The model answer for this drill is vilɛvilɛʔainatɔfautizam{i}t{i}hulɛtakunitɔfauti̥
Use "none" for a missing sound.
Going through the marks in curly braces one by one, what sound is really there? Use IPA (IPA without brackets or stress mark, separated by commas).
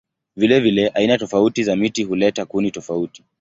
i, i